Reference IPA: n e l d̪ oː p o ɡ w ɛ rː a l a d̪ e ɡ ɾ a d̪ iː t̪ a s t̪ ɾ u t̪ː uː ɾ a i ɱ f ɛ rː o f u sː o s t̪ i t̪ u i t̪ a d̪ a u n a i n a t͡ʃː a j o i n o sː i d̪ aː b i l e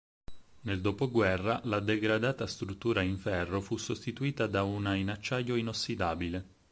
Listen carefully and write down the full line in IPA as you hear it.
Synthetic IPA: n e l d̪ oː p o ɡ w ɛ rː a l a d̪ e ɡ ɾ a d̪ aː t̪ a s t̪ ɾ u t̪ː uː ɾ a i ɱ f ɛ rː o f u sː o s t̪ i t̪ u iː t̪ a d̪ a u n a i n a t͡ʃː a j o i n o sː i d̪ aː b i l e